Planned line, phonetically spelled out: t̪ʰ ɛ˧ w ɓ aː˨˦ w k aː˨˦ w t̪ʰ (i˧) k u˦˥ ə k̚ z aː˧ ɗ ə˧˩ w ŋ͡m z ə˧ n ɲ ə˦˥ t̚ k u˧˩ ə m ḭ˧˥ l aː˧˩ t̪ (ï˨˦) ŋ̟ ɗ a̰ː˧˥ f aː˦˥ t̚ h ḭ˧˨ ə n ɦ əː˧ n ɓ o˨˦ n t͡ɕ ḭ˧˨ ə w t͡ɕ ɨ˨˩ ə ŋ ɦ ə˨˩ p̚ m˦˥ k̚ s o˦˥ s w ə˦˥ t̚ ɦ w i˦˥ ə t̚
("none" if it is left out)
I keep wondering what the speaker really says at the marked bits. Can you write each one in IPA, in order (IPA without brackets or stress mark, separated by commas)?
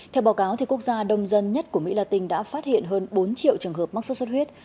i˨˩, ï˧˩